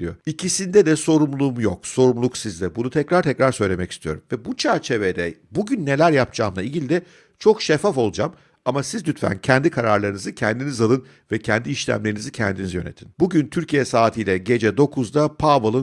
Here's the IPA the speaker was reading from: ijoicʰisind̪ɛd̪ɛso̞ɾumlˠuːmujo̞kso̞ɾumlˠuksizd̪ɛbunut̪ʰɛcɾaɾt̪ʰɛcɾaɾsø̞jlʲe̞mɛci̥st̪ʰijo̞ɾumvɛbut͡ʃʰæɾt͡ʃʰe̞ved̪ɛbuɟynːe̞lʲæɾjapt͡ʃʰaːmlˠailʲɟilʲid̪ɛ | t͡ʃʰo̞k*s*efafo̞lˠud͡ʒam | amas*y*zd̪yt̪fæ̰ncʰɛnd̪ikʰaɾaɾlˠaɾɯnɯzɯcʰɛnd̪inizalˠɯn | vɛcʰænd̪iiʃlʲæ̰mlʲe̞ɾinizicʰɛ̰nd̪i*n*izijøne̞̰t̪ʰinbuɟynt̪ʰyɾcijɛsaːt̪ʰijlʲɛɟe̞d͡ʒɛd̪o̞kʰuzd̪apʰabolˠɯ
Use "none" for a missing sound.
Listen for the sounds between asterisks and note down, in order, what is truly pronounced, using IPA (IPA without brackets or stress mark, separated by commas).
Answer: ʃ, i, n